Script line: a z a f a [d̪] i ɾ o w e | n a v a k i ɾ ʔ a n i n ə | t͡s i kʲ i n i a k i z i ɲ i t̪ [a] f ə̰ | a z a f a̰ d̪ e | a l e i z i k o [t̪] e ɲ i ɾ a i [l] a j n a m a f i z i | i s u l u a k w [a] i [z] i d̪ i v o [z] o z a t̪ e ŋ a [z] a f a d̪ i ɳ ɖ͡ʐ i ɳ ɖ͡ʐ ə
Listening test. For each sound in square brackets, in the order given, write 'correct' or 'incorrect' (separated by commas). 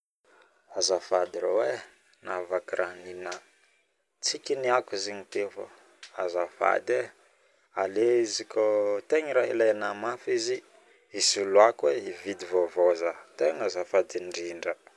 correct, incorrect, correct, correct, incorrect, incorrect, incorrect, correct